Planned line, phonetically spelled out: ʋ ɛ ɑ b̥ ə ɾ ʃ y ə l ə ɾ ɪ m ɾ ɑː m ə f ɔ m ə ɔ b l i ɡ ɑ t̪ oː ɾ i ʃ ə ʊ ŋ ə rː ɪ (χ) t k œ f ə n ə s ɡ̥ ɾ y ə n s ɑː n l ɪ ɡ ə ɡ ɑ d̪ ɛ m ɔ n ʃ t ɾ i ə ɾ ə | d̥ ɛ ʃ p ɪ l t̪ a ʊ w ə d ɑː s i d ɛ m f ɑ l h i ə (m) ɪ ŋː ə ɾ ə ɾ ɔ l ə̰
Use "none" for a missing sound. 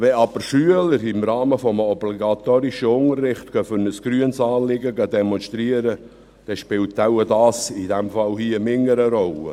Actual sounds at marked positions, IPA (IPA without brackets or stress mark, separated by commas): χ, m